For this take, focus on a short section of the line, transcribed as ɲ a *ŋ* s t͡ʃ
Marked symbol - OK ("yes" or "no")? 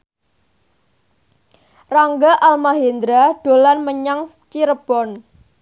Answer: yes